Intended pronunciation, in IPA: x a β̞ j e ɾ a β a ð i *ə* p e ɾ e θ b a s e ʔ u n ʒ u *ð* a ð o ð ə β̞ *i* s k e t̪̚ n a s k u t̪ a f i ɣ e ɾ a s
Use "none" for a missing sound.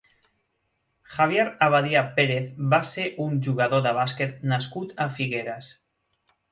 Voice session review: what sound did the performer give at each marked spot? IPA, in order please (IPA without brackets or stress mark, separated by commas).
a, ɣ, a